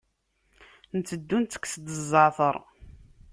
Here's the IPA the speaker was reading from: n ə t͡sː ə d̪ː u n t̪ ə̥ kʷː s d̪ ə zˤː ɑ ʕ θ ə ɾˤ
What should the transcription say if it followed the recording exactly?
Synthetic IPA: n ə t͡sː ə d̪ː u n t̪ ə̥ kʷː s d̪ ə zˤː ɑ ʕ θ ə ɾˤ

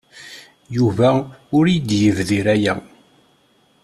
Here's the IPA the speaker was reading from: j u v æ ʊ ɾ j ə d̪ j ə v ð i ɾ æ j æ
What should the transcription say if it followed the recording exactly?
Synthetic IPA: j u v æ ʊ ɾ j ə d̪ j ə v ð i ɾ æ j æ

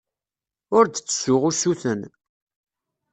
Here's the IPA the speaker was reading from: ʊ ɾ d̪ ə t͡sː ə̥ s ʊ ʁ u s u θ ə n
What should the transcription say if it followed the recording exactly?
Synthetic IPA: ʊ ɾ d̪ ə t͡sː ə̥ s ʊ ʁ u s u θ ə n

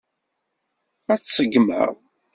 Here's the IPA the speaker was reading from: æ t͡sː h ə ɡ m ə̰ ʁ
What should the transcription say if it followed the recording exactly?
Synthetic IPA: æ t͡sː s ə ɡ m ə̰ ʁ

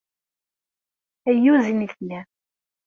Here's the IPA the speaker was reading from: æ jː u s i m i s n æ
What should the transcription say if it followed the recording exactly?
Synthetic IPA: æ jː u z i n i θ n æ

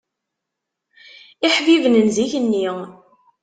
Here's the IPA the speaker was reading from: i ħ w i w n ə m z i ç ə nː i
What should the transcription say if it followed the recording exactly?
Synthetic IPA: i ħ v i v n ə n z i ç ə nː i

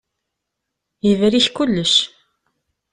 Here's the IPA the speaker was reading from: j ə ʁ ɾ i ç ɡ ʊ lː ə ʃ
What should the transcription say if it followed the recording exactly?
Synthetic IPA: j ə v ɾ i ç k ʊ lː ə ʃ

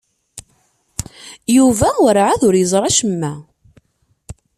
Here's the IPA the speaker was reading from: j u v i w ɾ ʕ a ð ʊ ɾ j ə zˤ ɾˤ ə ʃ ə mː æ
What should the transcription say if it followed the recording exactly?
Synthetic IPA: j u v æ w ɾ ʕ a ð ʊ ɾ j ə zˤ ɾˤ ɑ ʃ ə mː æ

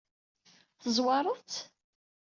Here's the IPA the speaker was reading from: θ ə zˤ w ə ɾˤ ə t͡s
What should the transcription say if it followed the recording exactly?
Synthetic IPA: θ ə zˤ w ɑ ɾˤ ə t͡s

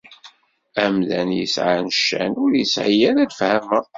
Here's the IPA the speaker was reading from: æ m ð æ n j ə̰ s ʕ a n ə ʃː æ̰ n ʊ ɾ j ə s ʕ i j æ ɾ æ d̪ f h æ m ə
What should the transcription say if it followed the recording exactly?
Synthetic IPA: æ m ð æ n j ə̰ s ʕ a n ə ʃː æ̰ n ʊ ɾ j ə s ʕ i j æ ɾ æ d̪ f h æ m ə

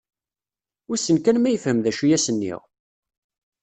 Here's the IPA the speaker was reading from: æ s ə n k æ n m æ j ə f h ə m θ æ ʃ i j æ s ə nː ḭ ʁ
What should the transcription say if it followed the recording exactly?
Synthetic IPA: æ s ə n k æ n m æ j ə f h ə m ð æ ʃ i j æ s ə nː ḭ ʁ

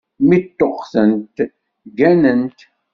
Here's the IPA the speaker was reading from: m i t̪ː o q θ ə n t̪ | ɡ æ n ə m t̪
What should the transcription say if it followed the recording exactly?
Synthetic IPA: m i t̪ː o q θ ə n t̪ | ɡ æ n ə n t̪

